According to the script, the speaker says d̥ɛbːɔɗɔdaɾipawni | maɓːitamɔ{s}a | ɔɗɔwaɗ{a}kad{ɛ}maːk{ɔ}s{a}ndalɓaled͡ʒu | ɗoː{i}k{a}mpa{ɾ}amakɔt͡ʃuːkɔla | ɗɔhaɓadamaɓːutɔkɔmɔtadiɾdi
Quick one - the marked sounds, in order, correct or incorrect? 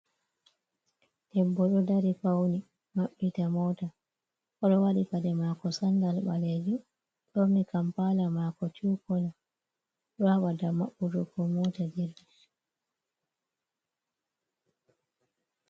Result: incorrect, incorrect, correct, correct, correct, correct, correct, incorrect

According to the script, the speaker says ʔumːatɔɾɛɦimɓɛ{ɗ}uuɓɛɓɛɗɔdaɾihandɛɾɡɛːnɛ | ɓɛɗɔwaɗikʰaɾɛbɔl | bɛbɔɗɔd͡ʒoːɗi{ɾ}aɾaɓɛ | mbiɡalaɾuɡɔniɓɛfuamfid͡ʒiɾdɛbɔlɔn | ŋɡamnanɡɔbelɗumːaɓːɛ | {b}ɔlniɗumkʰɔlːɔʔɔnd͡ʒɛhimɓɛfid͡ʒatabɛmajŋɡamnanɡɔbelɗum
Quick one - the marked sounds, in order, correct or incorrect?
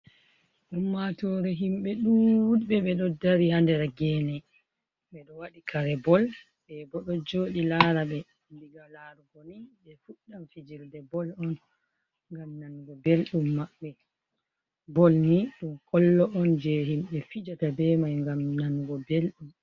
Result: correct, incorrect, correct

